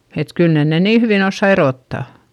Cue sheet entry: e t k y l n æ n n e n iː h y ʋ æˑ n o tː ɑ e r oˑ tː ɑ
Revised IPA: e t k y l n e n n e n iː h y ʋ iˑ n o sː ɑ e r oˑ tː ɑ